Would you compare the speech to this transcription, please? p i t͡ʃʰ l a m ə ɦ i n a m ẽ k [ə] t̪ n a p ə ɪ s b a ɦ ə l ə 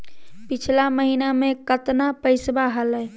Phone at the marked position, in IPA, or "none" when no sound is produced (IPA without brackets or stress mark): ə